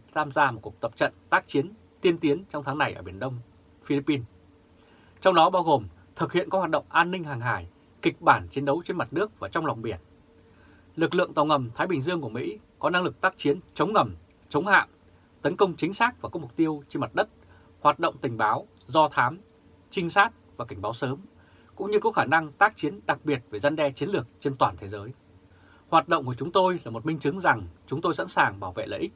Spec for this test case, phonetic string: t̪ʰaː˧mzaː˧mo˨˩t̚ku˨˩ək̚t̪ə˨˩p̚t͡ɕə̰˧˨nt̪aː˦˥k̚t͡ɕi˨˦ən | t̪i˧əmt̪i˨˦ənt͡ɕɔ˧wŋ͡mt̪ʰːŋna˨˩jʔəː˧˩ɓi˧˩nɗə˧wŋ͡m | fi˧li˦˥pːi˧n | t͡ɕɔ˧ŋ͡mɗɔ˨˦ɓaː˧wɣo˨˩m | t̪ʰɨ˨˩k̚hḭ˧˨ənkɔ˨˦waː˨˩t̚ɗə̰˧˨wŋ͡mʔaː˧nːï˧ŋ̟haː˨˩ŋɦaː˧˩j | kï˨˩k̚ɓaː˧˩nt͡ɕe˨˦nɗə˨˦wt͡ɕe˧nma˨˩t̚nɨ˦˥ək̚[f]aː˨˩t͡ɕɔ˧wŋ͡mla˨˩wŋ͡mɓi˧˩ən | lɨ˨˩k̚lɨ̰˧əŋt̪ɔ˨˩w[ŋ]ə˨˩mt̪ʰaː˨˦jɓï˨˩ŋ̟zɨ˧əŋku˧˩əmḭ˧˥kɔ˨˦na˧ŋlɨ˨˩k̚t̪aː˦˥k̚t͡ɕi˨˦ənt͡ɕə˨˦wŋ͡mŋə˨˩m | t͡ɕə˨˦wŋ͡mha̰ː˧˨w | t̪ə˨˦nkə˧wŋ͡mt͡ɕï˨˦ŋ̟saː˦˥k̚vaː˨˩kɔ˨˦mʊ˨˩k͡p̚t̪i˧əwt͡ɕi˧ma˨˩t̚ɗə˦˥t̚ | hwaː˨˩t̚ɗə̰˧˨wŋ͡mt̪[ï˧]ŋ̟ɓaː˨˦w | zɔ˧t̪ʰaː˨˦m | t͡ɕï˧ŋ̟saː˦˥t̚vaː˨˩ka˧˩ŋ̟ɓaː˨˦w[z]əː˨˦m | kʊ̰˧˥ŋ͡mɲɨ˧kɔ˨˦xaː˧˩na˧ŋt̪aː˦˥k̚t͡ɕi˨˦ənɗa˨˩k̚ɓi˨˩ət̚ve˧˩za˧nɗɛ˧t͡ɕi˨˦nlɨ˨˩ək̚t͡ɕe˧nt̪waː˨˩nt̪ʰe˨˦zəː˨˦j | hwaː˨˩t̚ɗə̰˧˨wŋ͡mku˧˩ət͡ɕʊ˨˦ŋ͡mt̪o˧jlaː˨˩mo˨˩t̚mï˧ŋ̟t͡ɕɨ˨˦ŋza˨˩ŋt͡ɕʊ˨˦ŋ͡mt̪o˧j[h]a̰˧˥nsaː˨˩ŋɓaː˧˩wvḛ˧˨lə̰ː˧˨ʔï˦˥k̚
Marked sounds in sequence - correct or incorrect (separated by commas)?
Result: incorrect, correct, incorrect, incorrect, incorrect